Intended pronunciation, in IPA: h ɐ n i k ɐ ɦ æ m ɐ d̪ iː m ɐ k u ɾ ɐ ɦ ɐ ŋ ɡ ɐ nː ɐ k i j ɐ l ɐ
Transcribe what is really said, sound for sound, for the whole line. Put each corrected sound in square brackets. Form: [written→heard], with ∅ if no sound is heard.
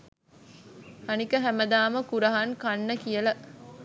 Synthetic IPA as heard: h ɐ n i k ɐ ɦ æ m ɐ d̪ [iː→aː] m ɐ k u ɾ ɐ ɦ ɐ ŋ [ɡ→k] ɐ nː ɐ k i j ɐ l ɐ